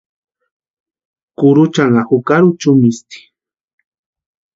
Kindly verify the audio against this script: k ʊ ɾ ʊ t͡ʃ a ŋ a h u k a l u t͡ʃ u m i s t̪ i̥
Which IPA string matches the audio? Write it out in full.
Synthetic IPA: k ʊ ɾ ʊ t͡ʃ a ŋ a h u k a ɾ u t͡ʃ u m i s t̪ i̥